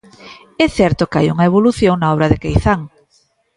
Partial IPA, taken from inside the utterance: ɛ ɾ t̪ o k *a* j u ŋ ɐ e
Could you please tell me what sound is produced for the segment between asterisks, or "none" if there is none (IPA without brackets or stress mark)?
a